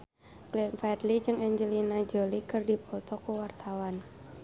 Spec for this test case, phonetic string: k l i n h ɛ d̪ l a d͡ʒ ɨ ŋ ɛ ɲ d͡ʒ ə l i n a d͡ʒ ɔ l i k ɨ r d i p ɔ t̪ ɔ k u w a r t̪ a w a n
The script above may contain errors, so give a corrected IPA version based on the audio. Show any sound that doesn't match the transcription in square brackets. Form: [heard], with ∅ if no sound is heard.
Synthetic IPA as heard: k l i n [f] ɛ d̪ l [i] d͡ʒ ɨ ŋ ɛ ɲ d͡ʒ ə l i n a d͡ʒ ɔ l i k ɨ r d i p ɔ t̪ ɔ k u w a r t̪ a w a n